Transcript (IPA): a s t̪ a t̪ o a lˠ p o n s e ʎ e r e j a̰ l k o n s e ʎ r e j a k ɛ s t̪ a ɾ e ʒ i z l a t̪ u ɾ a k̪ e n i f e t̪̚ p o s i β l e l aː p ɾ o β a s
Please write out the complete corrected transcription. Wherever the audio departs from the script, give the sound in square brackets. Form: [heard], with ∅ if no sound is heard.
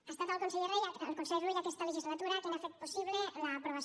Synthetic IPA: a s t̪ a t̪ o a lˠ [k] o n s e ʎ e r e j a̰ l k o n s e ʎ r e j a k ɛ s t̪ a [l] e ʒ i z l a t̪ u ɾ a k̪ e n [a] f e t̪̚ p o s i β l e l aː p ɾ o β a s